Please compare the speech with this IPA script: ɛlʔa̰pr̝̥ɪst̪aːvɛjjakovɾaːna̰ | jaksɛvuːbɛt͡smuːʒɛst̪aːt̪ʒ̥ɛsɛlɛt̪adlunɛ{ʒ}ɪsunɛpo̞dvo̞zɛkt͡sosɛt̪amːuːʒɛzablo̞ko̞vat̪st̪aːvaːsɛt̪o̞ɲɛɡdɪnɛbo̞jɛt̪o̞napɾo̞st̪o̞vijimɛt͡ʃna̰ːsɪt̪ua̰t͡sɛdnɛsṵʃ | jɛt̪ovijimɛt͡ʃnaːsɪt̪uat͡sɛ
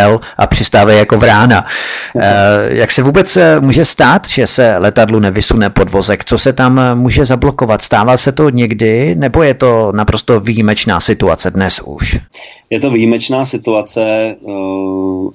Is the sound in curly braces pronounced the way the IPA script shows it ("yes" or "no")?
no